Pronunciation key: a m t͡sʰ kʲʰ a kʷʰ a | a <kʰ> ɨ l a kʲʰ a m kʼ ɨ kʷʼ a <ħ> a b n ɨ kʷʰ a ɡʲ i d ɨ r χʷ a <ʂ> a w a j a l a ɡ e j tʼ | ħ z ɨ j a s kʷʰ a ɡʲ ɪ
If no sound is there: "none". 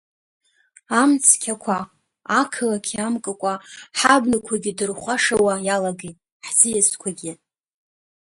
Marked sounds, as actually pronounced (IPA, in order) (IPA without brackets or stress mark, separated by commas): kʰ, ħ, ʂ